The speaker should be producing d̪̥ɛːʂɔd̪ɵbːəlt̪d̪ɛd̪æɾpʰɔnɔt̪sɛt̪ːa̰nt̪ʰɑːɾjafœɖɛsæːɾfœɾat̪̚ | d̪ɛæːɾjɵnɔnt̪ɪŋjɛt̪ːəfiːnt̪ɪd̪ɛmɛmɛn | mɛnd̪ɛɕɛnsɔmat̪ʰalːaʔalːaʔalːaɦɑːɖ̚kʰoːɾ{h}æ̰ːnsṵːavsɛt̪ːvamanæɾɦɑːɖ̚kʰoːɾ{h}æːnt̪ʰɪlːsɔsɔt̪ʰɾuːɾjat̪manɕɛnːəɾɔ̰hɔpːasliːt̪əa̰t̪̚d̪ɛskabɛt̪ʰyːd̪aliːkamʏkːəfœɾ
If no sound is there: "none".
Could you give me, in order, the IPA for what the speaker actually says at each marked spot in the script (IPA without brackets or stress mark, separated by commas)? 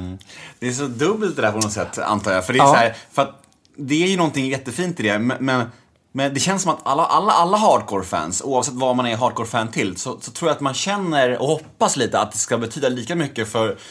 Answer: f, f